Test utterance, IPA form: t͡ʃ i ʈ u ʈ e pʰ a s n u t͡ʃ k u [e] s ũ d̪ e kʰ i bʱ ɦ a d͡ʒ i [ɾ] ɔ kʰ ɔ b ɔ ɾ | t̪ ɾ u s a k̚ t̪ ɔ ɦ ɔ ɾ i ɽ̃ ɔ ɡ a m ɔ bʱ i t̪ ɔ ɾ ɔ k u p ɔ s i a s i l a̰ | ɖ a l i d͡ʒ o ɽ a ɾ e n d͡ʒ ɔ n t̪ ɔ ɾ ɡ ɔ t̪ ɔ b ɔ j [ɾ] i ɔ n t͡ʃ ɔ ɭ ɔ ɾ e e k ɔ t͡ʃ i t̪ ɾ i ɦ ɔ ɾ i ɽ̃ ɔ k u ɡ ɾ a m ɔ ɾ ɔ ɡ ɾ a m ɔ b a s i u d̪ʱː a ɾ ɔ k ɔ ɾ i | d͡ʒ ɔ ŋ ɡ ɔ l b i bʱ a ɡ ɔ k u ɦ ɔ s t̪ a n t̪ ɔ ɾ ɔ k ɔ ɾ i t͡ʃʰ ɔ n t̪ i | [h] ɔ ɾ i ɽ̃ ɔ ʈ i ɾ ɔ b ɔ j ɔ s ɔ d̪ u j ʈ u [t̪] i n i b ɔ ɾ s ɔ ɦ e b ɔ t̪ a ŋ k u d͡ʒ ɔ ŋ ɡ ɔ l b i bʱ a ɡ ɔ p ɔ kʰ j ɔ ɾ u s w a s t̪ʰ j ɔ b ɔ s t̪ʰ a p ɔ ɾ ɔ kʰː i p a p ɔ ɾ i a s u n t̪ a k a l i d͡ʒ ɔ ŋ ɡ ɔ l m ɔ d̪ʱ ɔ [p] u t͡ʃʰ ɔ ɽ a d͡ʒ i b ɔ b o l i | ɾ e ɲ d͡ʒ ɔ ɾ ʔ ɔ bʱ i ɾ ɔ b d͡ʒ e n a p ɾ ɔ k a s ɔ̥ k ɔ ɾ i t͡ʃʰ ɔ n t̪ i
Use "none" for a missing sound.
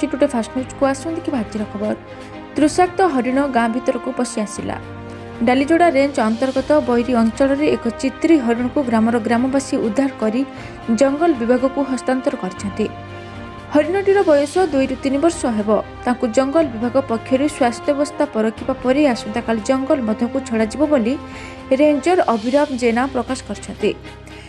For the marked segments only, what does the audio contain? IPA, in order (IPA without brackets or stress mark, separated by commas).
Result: a, ɾ, ɾ, h, t̪, k